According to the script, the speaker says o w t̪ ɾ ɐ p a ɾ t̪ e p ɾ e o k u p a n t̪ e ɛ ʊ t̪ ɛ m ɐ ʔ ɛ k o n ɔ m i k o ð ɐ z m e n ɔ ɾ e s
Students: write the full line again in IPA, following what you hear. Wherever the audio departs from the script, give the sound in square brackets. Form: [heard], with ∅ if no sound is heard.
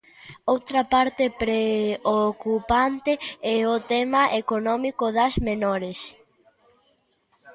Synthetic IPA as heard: o w t̪ ɾ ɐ p a ɾ t̪ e p ɾ e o k u p a n t̪ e ɛ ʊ t̪ ɛ m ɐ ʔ [e] k o n ɔ m i k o ð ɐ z m e n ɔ ɾ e s